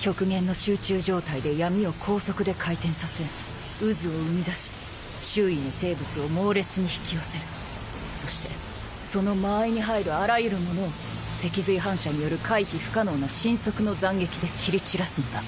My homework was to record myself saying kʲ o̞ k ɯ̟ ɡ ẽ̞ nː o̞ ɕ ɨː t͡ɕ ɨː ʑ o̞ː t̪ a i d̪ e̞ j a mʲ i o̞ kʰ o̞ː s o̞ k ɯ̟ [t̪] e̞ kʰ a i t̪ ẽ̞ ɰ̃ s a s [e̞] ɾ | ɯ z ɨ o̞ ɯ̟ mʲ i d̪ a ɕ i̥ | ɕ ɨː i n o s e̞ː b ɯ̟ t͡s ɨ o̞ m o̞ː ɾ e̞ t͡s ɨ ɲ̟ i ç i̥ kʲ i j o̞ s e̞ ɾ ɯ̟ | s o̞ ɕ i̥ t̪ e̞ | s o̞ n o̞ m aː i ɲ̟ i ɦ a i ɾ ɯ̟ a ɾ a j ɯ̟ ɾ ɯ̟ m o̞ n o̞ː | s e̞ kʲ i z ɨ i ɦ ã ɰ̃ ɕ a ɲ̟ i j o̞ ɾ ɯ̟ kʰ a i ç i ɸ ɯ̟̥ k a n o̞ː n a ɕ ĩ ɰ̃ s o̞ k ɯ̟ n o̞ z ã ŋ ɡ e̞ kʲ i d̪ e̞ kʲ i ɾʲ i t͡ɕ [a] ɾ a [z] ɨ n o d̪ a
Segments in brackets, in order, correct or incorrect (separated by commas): incorrect, correct, incorrect, incorrect